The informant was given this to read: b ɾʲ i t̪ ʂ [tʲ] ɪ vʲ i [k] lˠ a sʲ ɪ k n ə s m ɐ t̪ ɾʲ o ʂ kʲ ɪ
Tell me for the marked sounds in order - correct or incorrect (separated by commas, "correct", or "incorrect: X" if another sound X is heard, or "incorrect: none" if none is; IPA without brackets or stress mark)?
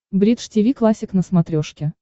correct, correct